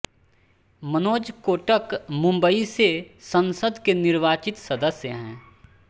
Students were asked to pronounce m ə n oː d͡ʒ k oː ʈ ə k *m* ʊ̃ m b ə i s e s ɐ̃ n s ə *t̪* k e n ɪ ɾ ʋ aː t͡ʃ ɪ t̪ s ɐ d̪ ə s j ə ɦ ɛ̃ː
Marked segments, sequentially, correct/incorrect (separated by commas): correct, incorrect